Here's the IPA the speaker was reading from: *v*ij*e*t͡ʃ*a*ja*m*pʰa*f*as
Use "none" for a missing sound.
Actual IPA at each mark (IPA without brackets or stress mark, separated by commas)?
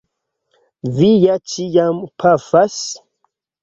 v, a, i, m, f